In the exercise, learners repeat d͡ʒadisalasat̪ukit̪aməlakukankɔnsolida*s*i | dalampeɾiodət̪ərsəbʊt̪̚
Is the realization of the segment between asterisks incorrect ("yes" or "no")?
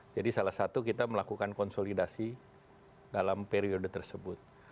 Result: no